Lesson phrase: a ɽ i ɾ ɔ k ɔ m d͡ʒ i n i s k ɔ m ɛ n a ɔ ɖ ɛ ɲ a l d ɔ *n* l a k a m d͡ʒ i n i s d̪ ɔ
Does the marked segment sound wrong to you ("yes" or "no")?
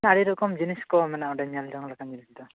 yes